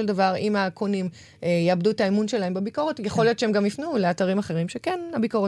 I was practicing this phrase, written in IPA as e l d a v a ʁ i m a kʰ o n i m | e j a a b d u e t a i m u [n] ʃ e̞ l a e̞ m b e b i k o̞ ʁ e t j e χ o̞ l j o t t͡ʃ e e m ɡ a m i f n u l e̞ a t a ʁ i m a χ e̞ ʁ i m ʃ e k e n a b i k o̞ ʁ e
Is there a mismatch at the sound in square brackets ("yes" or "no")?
no